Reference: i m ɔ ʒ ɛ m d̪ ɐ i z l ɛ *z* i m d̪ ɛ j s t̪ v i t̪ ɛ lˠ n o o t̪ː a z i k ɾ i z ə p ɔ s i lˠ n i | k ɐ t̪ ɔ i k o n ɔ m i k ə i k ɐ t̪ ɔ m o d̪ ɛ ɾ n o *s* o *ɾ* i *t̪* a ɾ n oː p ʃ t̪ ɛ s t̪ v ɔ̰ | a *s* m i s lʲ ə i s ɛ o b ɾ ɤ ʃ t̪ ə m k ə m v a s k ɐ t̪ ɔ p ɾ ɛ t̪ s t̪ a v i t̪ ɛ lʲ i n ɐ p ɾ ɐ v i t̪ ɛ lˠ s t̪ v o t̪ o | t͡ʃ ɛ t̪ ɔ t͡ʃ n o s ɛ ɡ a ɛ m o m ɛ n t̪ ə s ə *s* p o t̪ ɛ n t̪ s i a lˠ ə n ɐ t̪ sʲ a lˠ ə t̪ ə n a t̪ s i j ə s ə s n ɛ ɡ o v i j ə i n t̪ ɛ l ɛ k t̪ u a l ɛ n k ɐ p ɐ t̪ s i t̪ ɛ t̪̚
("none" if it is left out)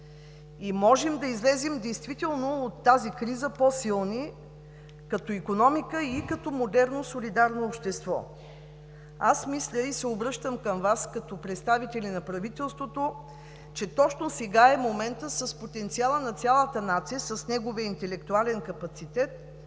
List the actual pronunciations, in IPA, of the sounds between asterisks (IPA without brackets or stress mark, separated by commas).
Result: z, s, l, d̪, s, s